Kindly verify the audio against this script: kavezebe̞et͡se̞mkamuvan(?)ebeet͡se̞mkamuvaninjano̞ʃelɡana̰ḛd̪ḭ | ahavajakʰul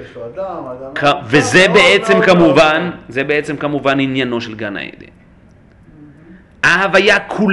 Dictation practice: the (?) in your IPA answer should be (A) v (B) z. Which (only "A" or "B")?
B